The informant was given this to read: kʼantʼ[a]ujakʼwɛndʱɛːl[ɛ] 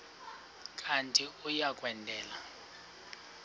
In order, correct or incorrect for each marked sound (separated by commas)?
incorrect, incorrect